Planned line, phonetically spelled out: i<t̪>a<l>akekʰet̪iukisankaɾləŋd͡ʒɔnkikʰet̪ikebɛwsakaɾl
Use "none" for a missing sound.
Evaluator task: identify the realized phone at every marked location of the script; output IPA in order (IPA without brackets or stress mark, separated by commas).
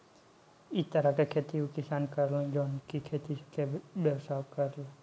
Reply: t̪, ɾ